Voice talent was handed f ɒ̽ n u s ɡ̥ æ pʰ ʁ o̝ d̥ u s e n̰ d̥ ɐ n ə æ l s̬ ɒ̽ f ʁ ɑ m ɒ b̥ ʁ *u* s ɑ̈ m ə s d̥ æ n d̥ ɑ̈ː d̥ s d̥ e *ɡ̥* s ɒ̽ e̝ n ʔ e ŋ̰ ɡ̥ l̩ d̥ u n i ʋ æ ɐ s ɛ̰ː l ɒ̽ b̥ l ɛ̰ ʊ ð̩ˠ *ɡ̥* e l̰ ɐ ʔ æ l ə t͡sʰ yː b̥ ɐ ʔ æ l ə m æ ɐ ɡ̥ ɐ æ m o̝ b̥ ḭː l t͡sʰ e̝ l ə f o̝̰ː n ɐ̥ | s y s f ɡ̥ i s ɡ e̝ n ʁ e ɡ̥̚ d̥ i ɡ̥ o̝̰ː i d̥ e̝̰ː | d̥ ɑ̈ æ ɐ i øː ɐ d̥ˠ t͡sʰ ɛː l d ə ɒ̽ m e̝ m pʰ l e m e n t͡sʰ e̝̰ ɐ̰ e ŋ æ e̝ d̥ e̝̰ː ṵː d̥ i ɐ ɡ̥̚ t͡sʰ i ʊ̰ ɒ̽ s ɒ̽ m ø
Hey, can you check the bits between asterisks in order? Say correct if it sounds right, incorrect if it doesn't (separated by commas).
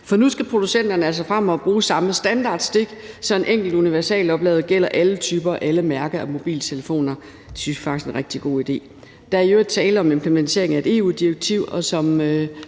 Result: incorrect, correct, correct